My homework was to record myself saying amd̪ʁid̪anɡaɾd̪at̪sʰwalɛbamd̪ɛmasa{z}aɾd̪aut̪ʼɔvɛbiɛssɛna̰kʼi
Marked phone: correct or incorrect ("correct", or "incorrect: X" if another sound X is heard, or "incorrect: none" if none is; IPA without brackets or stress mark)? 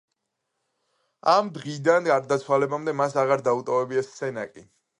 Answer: incorrect: ʁ